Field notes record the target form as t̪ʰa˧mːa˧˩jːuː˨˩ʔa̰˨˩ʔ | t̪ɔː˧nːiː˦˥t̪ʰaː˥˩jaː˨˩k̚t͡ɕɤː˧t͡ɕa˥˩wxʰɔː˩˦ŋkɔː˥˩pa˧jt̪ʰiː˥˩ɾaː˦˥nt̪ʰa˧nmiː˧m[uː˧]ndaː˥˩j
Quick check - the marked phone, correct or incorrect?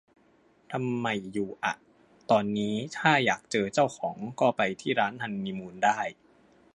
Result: correct